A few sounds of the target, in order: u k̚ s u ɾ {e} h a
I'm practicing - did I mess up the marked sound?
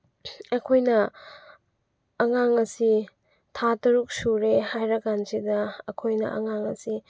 no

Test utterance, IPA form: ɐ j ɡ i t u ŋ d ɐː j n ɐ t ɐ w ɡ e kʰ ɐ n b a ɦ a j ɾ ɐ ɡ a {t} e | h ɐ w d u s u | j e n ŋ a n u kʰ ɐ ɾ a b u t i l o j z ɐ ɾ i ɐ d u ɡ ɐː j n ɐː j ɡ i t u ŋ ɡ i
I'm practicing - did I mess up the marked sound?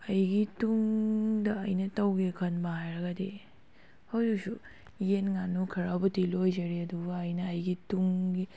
yes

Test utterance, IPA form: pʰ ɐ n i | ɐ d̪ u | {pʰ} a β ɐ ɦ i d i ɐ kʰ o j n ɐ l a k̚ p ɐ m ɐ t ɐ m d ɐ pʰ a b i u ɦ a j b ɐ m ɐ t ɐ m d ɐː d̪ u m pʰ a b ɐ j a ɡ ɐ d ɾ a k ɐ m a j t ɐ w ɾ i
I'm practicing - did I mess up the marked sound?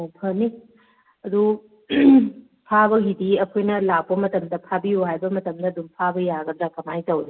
no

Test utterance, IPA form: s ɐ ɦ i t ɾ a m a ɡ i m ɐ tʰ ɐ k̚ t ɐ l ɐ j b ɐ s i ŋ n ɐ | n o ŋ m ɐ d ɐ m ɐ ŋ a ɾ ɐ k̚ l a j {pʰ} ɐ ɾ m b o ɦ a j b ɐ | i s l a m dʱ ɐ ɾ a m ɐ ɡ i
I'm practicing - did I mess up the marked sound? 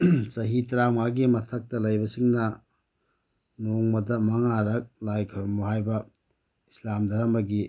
yes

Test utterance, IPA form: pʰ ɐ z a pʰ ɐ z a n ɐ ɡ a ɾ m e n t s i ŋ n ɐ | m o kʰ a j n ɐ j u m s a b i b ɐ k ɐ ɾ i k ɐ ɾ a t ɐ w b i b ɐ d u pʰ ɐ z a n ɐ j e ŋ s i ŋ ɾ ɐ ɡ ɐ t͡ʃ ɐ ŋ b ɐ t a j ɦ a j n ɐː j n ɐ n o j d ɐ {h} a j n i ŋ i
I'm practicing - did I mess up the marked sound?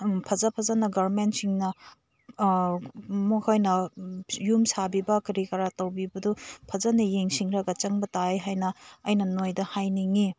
no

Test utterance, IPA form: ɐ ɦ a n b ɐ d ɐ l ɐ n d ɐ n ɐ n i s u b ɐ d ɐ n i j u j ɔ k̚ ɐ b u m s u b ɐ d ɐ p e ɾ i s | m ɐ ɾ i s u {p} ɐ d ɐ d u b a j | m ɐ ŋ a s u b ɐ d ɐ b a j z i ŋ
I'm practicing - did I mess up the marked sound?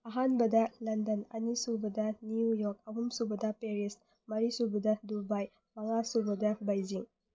yes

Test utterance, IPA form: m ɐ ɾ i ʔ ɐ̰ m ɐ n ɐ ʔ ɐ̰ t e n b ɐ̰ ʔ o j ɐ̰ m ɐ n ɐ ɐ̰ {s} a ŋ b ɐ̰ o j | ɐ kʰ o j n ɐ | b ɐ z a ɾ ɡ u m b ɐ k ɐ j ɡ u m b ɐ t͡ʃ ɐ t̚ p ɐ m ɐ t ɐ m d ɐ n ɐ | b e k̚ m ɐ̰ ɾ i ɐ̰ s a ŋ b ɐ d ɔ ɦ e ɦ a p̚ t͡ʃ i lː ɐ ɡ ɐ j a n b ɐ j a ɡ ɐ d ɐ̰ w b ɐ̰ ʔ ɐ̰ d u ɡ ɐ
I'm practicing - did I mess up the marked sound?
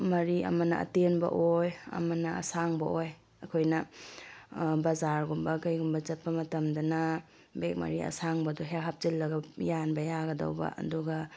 no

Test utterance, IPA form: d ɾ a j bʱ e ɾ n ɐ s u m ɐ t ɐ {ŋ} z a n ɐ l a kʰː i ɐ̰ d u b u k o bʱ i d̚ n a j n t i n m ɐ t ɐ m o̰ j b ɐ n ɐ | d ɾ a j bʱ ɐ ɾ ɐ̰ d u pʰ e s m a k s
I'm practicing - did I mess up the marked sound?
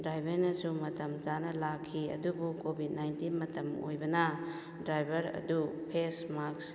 yes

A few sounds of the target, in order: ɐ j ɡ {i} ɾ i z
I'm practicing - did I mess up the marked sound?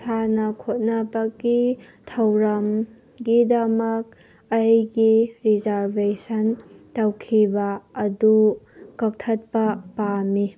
no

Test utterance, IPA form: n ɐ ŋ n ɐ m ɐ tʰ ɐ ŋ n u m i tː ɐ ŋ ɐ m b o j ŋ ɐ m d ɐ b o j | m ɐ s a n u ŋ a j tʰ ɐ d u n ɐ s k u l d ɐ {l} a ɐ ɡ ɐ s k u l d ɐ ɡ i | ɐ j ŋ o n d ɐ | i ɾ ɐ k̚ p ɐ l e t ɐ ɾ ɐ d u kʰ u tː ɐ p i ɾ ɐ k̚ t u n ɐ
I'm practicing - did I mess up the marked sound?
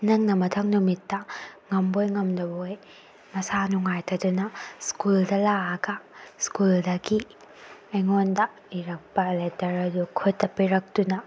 no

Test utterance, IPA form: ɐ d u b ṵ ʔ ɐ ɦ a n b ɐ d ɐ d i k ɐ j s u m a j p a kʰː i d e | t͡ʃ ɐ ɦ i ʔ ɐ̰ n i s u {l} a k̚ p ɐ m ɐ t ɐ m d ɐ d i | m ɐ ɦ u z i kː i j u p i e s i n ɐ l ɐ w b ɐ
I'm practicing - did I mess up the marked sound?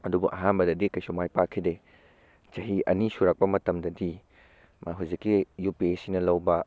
yes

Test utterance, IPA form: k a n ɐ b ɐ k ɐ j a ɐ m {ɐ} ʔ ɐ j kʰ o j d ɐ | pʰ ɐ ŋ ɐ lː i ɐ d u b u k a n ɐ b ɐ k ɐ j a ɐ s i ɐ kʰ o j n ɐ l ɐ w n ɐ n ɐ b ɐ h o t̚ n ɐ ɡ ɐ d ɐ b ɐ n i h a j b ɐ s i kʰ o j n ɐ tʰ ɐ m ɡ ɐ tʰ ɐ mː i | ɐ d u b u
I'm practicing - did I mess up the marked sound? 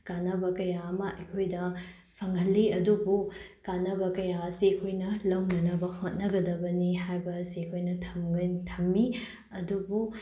no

